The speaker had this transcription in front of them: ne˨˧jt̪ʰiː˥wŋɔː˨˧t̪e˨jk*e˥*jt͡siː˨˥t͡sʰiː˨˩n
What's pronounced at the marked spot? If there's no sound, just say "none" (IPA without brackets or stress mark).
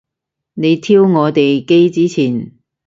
e˥